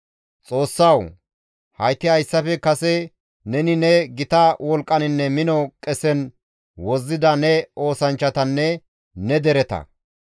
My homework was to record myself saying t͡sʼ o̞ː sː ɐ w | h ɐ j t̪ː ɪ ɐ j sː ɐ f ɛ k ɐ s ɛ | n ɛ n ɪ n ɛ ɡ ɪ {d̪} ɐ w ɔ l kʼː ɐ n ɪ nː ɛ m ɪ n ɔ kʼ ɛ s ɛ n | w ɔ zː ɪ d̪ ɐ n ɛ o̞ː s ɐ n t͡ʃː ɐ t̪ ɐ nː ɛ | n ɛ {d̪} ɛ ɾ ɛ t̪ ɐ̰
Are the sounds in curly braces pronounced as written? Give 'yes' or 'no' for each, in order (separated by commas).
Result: no, yes